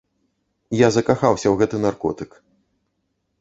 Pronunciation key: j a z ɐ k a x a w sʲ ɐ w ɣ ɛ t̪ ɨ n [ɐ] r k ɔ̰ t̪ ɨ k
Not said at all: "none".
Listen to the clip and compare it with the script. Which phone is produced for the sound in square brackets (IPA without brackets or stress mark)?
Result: a